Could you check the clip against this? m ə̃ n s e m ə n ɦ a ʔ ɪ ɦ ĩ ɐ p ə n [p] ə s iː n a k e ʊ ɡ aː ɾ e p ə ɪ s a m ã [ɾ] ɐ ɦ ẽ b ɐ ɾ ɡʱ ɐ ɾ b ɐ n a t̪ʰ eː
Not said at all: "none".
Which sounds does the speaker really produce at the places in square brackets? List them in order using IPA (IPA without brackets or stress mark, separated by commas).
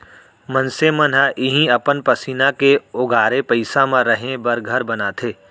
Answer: p, ɾ